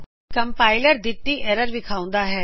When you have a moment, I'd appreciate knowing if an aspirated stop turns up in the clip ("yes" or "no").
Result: yes